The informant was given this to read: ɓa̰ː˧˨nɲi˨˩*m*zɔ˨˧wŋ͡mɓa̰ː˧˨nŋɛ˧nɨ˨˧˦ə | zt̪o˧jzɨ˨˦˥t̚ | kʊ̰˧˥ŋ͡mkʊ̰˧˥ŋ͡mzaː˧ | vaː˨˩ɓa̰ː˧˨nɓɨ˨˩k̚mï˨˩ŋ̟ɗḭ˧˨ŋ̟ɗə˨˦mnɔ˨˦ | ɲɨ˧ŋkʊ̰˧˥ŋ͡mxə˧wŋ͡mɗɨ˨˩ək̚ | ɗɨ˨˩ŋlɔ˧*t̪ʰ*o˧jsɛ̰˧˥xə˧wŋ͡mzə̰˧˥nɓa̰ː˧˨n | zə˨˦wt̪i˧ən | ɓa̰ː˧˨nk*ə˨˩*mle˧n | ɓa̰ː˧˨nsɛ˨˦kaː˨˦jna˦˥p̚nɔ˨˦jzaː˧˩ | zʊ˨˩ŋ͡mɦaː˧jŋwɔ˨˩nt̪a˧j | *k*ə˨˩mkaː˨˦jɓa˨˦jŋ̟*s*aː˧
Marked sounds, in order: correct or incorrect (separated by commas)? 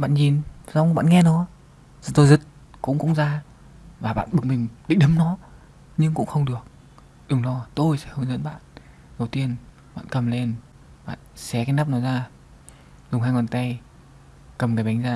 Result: incorrect, incorrect, correct, correct, incorrect